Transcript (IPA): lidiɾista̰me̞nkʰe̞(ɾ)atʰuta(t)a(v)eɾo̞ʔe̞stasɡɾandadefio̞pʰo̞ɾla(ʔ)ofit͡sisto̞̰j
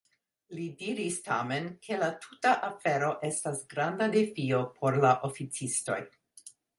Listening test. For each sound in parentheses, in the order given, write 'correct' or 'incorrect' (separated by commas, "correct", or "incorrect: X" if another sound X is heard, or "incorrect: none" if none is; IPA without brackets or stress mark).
incorrect: l, incorrect: ʔ, incorrect: f, correct